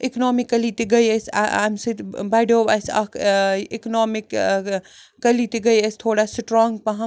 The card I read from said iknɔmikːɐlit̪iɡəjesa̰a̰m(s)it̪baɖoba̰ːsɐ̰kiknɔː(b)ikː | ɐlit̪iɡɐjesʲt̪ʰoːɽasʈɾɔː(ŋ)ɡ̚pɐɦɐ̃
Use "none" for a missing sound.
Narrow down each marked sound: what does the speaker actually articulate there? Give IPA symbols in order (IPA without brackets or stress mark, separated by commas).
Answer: s, m, ŋ